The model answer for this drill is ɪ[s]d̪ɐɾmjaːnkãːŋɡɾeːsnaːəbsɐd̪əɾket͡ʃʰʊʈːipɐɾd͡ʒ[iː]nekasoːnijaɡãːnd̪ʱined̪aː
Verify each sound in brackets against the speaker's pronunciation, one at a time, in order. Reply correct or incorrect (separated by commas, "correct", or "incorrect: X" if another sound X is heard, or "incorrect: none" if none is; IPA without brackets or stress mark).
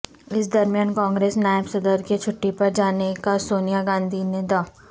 correct, incorrect: aː